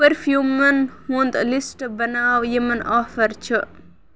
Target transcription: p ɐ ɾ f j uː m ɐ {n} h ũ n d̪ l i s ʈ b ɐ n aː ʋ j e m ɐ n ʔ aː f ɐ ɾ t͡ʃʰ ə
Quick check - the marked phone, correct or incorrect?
correct